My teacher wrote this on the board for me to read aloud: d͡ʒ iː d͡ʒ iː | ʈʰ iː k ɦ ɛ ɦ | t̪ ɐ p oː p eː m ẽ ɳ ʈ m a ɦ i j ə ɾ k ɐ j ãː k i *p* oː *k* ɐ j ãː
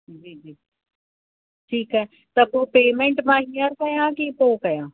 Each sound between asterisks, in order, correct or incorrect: correct, correct

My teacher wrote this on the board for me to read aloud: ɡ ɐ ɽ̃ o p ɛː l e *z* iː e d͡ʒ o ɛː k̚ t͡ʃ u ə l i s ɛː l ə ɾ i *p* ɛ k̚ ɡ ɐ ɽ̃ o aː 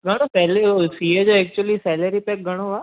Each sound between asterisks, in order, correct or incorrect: incorrect: s, correct

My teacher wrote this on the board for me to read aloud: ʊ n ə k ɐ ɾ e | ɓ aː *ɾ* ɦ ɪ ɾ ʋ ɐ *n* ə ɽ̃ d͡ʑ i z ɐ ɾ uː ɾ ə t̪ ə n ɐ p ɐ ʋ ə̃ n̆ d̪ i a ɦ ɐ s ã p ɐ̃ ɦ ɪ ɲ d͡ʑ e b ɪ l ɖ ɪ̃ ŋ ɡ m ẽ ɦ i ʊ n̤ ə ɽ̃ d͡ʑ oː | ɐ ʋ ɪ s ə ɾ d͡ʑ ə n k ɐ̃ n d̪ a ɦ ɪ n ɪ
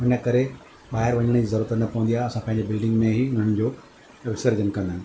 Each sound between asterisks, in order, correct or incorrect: incorrect: none, incorrect: ɲ

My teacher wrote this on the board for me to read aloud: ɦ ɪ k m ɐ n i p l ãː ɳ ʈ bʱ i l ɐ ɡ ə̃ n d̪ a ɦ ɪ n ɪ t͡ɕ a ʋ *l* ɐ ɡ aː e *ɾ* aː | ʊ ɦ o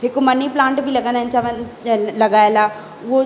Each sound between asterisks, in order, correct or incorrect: correct, incorrect: l

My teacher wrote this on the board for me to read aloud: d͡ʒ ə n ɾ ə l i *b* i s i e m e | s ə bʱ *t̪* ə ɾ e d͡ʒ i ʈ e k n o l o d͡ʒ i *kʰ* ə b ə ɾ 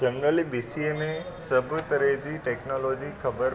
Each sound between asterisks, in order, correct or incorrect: correct, correct, correct

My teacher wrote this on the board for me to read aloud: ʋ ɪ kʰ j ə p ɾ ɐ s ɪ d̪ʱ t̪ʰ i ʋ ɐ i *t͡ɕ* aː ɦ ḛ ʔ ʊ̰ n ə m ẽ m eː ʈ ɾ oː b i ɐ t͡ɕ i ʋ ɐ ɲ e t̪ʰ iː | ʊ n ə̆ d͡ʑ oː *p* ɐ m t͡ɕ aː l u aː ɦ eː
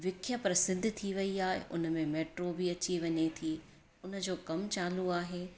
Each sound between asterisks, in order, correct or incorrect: incorrect: none, incorrect: k

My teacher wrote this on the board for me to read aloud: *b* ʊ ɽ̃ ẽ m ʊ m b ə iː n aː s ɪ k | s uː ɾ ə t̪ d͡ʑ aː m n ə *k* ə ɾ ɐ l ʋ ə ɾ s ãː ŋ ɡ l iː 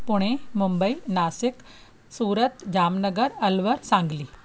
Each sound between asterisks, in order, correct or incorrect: incorrect: p, incorrect: ɡ

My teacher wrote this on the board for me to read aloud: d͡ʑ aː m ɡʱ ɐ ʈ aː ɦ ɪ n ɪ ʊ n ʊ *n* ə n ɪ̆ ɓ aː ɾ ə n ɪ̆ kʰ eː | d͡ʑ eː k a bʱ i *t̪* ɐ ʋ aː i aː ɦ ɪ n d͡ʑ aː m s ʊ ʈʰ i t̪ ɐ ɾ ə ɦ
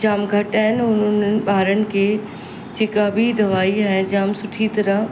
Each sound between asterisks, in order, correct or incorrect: correct, incorrect: d̪

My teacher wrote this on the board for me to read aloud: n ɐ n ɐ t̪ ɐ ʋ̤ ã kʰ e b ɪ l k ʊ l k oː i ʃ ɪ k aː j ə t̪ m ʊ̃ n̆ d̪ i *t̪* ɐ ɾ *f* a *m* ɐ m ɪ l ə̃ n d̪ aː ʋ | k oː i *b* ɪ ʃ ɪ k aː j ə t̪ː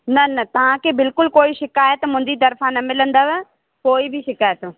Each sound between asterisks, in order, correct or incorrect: correct, correct, incorrect: n, correct

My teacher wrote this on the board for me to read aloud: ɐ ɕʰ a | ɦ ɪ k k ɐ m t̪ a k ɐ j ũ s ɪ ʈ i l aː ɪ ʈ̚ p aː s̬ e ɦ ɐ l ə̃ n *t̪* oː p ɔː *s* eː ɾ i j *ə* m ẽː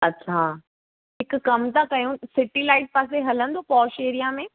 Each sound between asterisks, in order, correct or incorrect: incorrect: d̪, incorrect: ʃ, incorrect: a

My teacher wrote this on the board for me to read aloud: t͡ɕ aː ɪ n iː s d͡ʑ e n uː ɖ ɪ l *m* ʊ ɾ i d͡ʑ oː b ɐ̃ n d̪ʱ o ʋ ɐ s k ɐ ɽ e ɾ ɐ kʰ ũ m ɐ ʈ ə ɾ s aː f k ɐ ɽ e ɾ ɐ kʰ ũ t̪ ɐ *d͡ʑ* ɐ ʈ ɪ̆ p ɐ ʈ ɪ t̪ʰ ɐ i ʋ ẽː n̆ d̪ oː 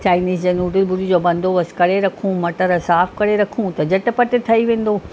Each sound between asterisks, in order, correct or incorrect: incorrect: b, correct

